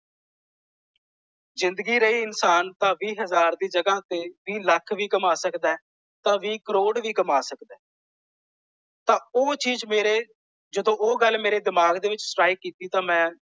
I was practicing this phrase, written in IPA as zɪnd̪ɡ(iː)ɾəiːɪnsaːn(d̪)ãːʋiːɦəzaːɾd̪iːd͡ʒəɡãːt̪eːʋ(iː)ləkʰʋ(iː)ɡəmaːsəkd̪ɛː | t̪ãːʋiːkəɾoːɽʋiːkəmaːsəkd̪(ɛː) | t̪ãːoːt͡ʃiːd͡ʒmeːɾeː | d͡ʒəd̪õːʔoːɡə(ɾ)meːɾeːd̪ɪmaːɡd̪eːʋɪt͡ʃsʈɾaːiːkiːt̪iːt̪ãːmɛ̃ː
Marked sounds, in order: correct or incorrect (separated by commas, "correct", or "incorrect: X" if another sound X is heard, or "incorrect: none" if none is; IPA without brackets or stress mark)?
correct, incorrect: t̪, correct, correct, correct, incorrect: l